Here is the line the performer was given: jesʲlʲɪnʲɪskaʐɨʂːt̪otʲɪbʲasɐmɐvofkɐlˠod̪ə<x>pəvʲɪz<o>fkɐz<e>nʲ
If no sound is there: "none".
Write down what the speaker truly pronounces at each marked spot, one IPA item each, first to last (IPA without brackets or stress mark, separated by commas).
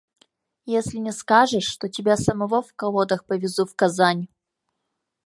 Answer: x, u, a